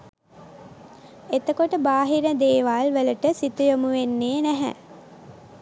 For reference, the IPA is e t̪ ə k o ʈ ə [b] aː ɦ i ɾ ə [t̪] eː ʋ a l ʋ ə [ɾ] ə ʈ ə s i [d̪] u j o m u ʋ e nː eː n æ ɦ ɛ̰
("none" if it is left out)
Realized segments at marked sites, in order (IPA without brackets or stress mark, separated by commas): b, d̪, l, t̪